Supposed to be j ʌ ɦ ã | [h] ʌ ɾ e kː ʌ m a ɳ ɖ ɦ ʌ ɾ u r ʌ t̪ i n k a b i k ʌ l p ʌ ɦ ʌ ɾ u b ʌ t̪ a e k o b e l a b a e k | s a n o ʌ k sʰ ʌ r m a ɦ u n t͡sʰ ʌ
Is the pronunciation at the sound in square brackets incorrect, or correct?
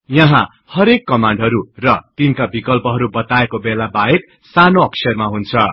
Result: correct